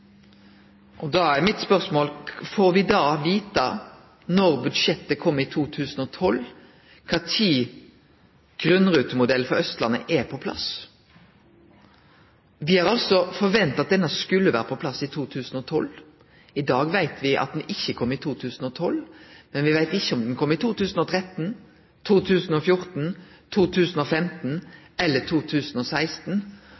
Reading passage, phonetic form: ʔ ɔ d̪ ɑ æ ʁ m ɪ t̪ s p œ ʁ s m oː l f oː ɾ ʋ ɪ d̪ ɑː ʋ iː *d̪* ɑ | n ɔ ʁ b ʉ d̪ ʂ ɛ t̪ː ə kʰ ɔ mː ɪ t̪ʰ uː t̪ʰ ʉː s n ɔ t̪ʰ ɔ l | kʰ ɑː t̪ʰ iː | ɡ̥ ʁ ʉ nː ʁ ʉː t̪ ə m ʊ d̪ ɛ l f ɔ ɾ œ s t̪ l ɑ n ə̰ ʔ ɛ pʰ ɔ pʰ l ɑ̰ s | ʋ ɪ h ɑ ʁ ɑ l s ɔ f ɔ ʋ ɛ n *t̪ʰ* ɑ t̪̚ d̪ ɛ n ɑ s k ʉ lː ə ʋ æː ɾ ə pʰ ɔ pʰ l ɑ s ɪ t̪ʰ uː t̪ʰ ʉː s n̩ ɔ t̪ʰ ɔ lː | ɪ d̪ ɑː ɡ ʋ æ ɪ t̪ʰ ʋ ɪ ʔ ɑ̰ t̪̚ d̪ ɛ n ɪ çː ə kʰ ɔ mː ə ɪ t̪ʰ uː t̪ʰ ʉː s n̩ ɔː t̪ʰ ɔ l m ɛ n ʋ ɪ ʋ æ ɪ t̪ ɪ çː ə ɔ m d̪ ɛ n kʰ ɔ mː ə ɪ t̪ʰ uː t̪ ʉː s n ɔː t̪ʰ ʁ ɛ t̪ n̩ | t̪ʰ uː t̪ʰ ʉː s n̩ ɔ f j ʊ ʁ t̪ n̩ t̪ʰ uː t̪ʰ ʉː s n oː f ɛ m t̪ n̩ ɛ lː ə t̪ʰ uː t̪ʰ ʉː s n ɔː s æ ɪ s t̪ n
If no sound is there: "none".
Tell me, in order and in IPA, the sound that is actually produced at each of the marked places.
t̪, t̪

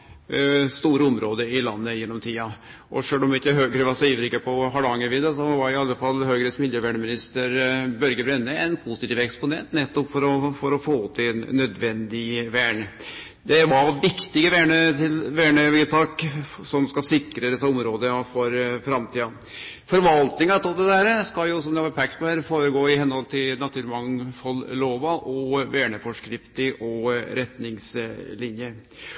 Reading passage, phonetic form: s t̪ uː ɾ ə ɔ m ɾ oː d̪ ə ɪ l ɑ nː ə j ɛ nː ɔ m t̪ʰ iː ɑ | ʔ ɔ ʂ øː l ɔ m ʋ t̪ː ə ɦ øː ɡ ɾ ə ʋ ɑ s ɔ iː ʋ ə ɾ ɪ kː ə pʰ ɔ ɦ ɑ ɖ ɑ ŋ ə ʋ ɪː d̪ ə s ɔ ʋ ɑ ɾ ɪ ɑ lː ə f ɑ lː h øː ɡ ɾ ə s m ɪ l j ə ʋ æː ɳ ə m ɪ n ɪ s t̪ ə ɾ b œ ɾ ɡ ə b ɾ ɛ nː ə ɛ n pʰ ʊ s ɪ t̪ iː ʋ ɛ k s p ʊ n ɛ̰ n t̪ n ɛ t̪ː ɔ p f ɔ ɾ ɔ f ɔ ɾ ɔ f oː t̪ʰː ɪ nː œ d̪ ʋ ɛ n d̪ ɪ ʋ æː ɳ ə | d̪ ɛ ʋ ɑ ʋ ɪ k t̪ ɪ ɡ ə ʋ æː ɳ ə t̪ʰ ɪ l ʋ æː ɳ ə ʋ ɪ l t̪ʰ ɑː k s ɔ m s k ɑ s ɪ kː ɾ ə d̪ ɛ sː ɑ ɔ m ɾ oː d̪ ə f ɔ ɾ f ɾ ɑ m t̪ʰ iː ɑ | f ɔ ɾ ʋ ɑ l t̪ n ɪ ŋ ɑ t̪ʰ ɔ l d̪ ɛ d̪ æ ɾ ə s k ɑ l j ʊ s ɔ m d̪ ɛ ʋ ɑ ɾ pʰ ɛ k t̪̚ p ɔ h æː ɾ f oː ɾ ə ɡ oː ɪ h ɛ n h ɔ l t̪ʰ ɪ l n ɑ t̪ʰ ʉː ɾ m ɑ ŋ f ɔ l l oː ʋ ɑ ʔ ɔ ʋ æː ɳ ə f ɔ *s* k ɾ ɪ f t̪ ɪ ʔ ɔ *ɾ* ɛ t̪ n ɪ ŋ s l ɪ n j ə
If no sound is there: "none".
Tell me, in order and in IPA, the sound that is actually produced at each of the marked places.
ʂ, ɾ

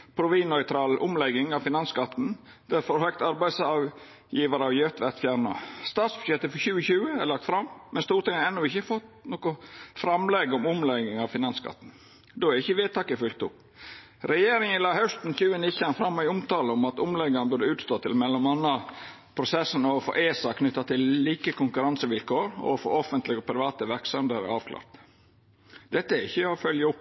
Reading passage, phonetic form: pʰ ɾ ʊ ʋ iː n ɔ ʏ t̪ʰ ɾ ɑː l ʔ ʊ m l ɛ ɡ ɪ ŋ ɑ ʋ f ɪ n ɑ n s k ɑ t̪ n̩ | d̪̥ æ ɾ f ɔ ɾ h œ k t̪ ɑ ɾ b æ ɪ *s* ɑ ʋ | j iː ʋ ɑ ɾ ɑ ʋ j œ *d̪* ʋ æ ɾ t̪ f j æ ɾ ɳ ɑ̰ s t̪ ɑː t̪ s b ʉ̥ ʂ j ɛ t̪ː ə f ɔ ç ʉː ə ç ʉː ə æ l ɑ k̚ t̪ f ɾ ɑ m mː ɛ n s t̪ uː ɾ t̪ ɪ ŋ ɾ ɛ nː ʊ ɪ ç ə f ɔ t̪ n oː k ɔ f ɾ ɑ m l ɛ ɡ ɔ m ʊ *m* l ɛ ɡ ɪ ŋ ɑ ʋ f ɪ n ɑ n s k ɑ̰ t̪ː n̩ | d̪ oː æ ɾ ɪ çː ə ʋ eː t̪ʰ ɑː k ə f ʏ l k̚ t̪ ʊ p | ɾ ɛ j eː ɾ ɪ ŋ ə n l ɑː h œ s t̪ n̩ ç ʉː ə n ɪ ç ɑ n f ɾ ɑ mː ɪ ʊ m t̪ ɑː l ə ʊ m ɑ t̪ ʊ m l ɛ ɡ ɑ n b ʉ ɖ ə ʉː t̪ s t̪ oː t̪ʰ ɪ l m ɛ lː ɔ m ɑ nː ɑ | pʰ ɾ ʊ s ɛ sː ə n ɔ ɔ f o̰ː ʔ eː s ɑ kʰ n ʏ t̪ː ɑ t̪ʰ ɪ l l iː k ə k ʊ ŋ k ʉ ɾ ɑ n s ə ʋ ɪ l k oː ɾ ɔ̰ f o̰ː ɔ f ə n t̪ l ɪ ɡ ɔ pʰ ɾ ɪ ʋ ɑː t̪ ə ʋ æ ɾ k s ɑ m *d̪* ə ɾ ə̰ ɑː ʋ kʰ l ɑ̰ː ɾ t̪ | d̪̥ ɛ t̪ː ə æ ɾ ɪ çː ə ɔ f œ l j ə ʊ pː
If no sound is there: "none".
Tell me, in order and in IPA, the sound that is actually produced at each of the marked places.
s, t̪, m, d̪

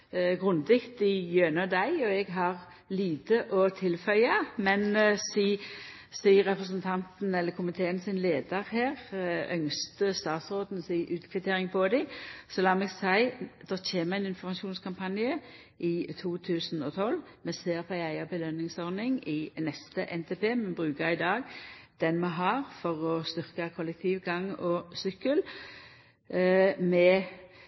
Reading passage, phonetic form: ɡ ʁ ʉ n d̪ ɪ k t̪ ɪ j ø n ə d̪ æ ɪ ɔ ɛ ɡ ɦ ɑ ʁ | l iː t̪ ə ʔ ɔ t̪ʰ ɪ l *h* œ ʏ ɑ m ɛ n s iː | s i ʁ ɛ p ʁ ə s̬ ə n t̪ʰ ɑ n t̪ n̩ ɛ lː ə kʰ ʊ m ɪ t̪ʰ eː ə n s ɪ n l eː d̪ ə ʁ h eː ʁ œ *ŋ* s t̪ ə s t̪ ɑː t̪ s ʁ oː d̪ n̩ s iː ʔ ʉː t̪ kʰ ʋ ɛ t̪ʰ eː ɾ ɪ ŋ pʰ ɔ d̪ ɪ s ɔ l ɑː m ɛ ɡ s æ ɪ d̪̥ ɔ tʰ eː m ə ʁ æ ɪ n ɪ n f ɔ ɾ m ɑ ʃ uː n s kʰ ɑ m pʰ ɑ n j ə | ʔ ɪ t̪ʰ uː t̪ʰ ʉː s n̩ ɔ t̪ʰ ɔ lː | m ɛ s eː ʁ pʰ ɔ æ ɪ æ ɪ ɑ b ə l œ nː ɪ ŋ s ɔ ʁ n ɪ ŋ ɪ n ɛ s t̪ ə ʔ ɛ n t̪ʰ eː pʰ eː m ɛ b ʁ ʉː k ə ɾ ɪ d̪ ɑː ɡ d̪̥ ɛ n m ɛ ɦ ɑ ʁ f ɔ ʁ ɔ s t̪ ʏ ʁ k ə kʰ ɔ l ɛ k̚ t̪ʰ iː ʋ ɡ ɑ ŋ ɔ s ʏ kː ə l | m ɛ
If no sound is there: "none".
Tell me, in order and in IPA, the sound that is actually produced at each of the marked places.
f, ŋ

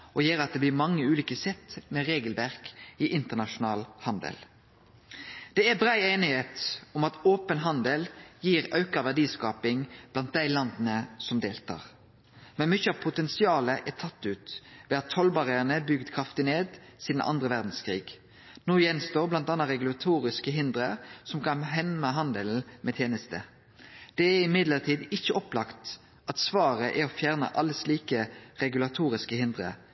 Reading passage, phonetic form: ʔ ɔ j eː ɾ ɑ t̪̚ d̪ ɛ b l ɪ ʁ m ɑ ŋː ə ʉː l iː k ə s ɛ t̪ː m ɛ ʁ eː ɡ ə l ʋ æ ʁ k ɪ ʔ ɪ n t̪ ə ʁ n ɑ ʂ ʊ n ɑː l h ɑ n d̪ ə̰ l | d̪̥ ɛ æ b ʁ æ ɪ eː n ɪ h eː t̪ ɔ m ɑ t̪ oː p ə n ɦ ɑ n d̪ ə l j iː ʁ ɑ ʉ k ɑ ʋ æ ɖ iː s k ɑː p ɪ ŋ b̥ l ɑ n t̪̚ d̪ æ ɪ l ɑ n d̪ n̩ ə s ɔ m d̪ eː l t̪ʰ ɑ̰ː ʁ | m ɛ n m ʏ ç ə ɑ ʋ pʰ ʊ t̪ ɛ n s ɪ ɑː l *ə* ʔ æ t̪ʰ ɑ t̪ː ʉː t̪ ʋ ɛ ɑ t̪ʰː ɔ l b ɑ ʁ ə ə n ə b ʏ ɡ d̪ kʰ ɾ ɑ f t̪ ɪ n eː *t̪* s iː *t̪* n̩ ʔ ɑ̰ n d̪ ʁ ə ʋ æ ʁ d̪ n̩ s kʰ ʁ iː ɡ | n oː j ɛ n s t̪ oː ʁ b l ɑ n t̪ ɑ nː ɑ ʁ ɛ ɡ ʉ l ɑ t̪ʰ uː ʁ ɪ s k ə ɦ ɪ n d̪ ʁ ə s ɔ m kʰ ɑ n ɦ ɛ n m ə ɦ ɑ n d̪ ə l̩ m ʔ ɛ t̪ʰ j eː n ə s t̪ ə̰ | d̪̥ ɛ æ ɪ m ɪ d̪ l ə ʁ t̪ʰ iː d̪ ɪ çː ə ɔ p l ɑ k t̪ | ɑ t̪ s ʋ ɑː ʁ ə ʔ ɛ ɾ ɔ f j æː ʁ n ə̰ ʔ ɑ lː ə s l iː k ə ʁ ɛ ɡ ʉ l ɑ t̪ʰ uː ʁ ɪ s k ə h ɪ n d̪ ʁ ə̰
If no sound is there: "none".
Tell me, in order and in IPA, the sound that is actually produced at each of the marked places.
ə, d̪, d̪

